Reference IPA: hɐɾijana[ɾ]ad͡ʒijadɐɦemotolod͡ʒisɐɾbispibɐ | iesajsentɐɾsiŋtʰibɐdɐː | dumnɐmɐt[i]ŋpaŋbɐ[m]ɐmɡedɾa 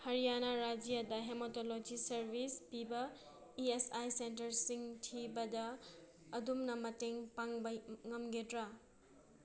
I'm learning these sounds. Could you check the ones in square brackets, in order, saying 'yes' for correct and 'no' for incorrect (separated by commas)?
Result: yes, no, no